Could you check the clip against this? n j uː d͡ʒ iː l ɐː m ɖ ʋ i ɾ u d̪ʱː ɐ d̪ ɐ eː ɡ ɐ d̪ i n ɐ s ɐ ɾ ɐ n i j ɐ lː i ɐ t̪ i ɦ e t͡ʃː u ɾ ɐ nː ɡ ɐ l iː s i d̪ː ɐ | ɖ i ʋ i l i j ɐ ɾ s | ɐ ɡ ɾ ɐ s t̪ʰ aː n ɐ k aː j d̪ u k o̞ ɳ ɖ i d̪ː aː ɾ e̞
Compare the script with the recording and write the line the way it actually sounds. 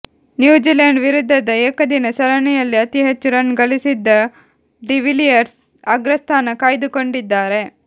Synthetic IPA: n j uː d͡ʒ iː l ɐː ɳ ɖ ʋ i ɾ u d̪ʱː ɐ d̪ ɐ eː k ɐ d̪ i n ɐ s ɐ ɾ ɐ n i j ɐ lː i ɐ t̪ i ɦ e t͡ʃː u ɾ ɐ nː ɡ ɐ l i s i d̪ː ɐ | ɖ i ʋ i l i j ɐ ɾ s | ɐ ɡ ɾ ɐ s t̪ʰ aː n ɐ k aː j d̪ u k o̞ ɳ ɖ i d̪ː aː ɾ e̞